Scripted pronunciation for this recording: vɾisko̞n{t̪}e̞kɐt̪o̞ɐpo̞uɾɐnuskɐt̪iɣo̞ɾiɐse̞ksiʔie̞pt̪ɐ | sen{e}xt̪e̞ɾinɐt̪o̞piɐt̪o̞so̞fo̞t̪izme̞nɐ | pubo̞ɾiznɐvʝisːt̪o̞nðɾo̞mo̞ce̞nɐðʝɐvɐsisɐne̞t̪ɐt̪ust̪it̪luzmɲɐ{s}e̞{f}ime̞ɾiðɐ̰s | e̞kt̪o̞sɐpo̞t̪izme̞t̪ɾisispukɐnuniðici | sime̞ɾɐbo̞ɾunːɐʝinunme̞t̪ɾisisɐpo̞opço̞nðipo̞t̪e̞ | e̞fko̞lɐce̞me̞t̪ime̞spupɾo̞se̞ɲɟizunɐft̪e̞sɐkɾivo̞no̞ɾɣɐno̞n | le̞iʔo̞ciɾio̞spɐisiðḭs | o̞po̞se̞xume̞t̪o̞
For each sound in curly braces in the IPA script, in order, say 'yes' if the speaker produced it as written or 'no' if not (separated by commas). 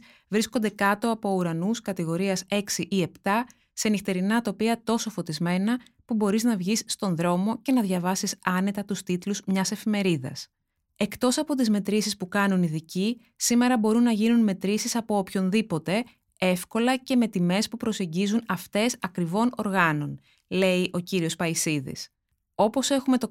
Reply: no, no, yes, yes